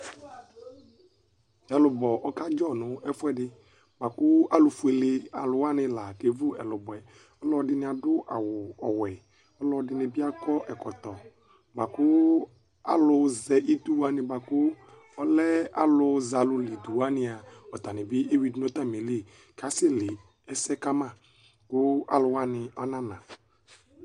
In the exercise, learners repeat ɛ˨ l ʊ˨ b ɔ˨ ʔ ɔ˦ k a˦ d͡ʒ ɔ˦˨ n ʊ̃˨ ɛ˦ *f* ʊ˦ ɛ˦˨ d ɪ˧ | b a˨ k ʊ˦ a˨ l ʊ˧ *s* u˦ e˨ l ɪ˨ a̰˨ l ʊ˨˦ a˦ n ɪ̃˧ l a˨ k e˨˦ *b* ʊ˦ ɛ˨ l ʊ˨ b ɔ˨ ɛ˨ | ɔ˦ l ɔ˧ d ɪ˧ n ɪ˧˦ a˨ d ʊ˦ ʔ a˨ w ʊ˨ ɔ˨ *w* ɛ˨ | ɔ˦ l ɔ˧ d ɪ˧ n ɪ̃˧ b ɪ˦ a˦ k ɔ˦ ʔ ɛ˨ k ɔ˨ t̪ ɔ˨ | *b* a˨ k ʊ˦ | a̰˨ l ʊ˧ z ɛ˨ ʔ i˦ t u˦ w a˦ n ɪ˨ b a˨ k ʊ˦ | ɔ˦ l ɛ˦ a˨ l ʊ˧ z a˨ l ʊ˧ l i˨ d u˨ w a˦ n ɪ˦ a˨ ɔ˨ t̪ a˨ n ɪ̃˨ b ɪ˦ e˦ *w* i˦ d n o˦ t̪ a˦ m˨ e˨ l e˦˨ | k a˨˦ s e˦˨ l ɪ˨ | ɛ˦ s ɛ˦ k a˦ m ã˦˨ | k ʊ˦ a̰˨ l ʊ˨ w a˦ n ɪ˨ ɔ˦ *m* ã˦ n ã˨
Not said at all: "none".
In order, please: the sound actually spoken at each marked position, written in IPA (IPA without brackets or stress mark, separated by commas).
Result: f, f, v, w, b, w, n